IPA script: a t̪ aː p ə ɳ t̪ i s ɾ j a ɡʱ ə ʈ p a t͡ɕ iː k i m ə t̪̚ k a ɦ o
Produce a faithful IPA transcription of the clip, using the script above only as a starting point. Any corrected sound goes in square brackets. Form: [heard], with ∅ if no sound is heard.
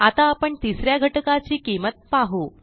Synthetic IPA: a t̪ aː p ə ɳ t̪ i s ɾ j a ɡʱ ə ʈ [k] a t͡ɕ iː k i m ə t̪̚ [p] a ɦ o

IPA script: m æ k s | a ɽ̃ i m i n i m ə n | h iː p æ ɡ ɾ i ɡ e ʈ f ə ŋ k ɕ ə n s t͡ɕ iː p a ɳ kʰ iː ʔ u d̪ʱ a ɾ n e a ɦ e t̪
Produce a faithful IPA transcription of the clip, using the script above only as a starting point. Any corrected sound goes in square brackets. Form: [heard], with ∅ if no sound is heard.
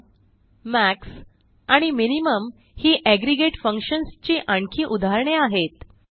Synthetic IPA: m æ k s | a ɽ̃ i m i n i m ə [m] | h iː [ʔ] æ ɡ ɾ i ɡ e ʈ f ə ŋ k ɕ ə n s t͡ɕ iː [ʔ] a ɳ kʰ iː ʔ u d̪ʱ a ɾ [ɳ] e a ɦ e t̪

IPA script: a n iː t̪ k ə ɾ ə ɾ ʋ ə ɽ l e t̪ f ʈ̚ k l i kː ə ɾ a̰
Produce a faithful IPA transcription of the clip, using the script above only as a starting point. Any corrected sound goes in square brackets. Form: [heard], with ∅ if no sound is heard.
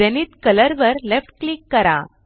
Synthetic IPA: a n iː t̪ k ə [l] ə ɾ ʋ ə [ɾ] l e [∅] f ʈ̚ k l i kː ə ɾ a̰

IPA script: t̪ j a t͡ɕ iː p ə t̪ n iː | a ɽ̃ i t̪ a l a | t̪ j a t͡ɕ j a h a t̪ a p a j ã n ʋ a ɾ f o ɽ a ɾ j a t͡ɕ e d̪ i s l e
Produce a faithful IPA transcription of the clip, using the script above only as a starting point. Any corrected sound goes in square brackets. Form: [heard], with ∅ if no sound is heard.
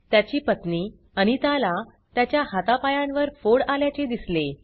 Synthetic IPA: t̪ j a t͡ɕ iː p ə t̪ n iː | a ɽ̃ i t̪ a l a | t̪ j a t͡ɕ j a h a t̪ a p a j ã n ʋ [ə] ɾ f o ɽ a [l] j a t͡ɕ e d̪ i s l e

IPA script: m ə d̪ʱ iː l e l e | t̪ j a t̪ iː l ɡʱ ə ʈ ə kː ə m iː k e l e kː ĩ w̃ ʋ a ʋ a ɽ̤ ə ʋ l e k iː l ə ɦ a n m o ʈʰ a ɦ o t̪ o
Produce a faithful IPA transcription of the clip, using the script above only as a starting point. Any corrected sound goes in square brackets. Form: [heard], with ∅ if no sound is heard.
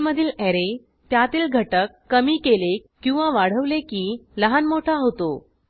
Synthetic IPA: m ə d̪ʱ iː l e [ɾ] e | t̪ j a t̪ iː l ɡʱ ə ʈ ə kː ə m iː k e l e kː ĩ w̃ ʋ a ʋ a ɽ̤ ə ʋ l e k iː l ə ɦ a n m o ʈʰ a ɦ o t̪ o

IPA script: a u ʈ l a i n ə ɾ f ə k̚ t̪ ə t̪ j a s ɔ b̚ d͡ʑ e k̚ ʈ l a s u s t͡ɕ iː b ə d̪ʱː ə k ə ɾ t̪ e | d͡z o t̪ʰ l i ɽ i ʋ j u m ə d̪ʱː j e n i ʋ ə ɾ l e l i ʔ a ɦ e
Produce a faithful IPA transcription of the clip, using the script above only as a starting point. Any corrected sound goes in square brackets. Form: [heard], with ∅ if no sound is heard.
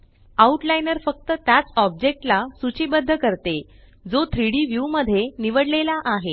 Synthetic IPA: a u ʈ l a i n ə ɾ f ə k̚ t̪ ə t̪ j a [t͡s] ɔ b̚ d͡ʑ e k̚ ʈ l a s u [∅] t͡ɕ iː b ə d̪ʱː ə k ə ɾ t̪ e | d͡z o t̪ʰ [ɾ] i ɽ i ʋ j u m ə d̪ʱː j e n i ʋ ə [ɽ] l e l [a] ʔ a ɦ e

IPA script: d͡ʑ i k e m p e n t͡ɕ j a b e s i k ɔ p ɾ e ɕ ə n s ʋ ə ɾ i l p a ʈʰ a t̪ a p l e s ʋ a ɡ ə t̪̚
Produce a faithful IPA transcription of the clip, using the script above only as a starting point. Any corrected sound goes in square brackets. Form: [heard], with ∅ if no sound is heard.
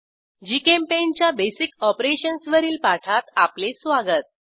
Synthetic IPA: d͡ʑ i k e m p e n t͡ɕ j a b e s i k ɔ p ɾ e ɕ ə n s ʋ ə ɾ [iː] l p a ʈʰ a t̪ a p l e s ʋ a ɡ ə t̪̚

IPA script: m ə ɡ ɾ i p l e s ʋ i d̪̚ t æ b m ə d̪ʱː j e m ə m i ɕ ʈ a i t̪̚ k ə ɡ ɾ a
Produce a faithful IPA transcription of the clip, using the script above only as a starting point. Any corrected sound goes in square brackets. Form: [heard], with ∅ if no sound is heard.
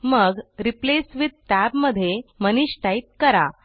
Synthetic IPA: m ə ɡ ɾ i p l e s ʋ i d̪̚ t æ b m ə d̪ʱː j e m ə [n] i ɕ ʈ a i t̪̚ k ə [∅] ɾ a

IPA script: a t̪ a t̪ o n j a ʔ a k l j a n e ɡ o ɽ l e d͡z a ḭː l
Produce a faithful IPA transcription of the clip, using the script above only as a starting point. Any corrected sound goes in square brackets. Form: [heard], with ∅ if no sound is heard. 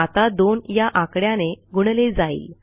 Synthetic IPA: a t̪ a [d̪] o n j a ʔ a k [ɽ] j a n e ɡ [u] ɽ l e d͡z a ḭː l

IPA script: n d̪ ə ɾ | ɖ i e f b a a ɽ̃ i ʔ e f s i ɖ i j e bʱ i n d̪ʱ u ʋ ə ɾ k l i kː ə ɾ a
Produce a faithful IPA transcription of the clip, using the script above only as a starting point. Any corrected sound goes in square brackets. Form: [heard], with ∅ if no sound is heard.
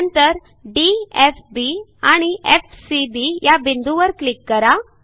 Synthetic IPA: n [t̪] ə ɾ | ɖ i e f b [i] a ɽ̃ i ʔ e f s i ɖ i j [a] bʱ i n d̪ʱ u ʋ ə ɾ k l i kː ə ɾ a

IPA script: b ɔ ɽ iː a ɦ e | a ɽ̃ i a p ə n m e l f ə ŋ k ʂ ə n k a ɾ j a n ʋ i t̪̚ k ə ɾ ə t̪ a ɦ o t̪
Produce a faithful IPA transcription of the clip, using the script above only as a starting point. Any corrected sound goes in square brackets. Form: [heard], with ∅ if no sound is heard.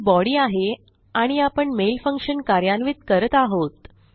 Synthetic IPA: b ɔ ɽ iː a ɦ e | a ɽ̃ i a p ə [ɳ] m e l f ə ŋ k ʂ ə n k a ɾ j a n ʋ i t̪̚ k ə ɾ ə t̪ a ɦ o t̪

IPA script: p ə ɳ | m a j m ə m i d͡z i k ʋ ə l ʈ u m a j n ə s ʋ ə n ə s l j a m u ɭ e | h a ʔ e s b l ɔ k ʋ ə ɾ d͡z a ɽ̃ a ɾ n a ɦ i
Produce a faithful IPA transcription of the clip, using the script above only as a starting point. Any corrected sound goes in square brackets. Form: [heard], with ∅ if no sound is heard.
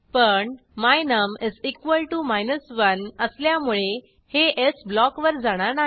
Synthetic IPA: p ə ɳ | m a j [n] ə m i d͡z i k ʋ ə l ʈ u m a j n ə s ʋ ə n ə s l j a m u ɭ e | h [e] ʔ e s b l ɔ k ʋ ə ɾ d͡z a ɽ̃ a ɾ n a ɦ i

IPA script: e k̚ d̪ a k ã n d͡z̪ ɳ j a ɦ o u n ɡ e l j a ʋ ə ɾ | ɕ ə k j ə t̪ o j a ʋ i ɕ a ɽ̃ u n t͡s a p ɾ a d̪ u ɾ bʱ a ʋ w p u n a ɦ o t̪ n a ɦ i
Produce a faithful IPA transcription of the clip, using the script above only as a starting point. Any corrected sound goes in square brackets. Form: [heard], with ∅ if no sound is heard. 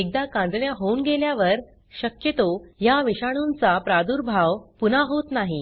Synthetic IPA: e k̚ d̪ a k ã n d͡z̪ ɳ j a ɦ o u n ɡ e l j a ʋ ə ɾ | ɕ ə k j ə t̪ o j a ʋ i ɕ a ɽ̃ u n t͡s a p ɾ a d̪ u ɾ bʱ a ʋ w p u n a ɦ o t̪ n a ɦ i

